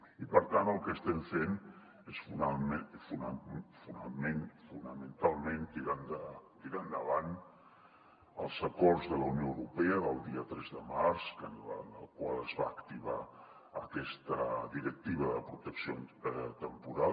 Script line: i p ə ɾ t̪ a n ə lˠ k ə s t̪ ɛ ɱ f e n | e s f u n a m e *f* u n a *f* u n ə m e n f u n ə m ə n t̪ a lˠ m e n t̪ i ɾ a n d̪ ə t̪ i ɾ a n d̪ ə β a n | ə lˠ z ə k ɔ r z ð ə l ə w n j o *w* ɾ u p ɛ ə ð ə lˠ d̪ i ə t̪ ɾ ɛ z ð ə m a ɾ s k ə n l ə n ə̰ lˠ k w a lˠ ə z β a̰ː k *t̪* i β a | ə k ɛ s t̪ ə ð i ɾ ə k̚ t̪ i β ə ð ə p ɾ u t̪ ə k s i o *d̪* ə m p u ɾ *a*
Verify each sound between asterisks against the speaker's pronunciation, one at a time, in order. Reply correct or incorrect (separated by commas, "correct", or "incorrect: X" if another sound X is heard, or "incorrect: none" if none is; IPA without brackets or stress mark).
correct, correct, correct, correct, incorrect: t̪, correct